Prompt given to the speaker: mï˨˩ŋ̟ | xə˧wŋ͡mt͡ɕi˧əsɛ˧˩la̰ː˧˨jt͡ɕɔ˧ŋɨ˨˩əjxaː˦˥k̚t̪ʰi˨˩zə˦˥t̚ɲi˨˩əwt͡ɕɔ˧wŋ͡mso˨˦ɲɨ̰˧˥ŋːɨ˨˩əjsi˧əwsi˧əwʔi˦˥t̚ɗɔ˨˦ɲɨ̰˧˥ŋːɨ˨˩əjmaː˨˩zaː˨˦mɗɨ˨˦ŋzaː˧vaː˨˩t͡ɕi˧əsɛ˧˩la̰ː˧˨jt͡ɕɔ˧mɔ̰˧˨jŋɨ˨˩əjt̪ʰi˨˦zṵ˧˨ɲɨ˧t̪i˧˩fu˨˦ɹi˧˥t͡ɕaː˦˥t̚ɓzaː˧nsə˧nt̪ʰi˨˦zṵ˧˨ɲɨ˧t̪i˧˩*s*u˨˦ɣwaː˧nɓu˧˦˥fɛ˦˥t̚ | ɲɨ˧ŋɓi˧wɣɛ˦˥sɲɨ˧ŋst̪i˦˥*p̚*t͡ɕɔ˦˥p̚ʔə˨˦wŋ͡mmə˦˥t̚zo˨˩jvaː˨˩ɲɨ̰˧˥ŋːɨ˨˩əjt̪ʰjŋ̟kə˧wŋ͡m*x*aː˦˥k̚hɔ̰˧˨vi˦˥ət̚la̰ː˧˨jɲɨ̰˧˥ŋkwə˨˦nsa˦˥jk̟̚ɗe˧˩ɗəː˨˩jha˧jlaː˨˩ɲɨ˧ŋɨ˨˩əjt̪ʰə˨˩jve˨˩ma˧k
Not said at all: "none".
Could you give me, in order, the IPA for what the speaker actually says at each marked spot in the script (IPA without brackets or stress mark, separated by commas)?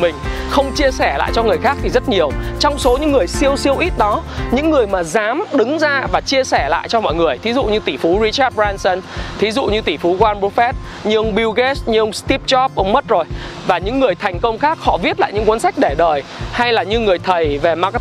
f, p̚, x